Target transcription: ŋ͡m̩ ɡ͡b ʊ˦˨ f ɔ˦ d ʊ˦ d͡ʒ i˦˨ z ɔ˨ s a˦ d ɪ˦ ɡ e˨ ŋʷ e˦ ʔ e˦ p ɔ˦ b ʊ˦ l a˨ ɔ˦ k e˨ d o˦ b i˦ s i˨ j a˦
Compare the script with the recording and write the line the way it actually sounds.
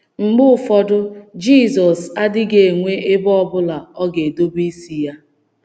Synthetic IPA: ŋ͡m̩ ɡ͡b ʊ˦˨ f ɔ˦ d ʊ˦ d͡ʒ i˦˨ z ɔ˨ s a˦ d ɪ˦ ɡ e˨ ŋʷ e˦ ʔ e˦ b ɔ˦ b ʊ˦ l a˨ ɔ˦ ɡ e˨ d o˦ b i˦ s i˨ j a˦